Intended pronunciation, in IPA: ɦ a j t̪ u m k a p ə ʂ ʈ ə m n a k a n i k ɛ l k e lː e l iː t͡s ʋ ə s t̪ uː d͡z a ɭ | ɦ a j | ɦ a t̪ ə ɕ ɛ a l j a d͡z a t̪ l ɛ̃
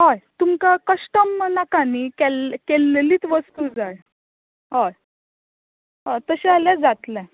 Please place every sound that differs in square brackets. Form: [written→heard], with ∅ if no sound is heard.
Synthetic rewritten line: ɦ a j t̪ u m k a [p→k] ə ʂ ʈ ə m n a k a n i k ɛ l k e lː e l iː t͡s ʋ ə s t̪ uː d͡z a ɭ | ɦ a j | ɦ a t̪ ə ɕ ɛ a l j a d͡z a t̪ l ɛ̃